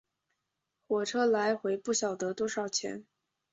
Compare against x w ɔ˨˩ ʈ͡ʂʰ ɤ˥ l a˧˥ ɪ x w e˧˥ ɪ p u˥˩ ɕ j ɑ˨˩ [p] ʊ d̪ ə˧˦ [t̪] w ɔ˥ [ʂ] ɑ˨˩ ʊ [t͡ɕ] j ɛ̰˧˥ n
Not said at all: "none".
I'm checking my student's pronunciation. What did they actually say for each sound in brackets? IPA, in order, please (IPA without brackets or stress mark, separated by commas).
none, t̪, ʂ, t͡ɕʰ